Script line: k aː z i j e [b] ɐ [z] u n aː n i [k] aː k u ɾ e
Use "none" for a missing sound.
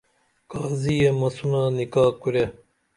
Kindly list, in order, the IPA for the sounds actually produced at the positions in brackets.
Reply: m, s, k

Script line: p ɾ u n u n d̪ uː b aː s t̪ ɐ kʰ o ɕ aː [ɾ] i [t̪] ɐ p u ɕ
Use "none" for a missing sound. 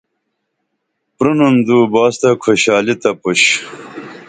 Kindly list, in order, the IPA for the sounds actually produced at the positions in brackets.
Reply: l, t̪

